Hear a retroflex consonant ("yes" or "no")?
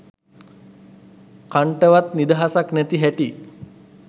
yes